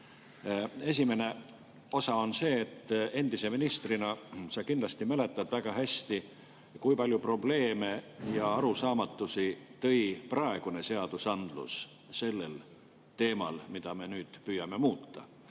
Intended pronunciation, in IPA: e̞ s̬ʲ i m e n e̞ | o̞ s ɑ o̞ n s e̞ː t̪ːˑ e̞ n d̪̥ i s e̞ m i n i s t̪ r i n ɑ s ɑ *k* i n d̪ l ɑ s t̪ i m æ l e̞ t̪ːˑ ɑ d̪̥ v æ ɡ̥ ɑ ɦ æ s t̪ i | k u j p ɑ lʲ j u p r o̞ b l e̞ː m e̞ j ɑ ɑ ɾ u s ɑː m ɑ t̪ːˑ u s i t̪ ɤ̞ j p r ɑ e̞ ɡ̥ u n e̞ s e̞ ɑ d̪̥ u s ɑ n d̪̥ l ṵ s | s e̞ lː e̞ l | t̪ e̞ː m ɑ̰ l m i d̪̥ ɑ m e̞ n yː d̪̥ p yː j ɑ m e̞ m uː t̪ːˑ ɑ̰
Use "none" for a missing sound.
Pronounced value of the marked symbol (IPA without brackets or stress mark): k